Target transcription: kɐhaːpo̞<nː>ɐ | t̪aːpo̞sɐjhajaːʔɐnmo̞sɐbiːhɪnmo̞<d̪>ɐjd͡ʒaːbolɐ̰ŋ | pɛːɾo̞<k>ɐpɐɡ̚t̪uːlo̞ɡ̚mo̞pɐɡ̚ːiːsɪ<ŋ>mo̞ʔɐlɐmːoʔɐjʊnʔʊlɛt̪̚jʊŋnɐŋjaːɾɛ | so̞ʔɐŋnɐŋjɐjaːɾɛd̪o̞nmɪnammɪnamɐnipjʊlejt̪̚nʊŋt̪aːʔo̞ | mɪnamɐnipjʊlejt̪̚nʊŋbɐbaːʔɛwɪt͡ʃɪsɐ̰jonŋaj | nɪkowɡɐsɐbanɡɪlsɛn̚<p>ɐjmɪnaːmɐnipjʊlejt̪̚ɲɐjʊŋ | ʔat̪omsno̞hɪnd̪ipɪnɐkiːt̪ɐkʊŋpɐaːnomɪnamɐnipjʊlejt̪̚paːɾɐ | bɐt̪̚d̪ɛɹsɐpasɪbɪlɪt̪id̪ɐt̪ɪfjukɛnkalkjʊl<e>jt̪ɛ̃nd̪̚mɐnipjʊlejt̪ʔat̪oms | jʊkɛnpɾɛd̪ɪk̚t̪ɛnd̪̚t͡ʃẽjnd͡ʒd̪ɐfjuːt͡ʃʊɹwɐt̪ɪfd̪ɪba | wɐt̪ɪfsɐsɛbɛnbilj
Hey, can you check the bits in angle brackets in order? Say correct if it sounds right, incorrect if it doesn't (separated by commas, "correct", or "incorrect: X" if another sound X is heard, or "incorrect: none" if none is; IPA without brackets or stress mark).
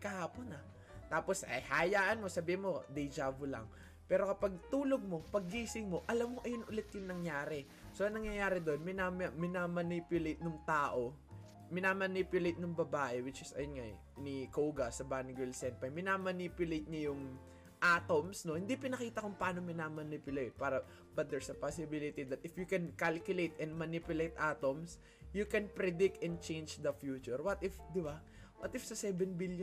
incorrect: n, correct, correct, correct, correct, correct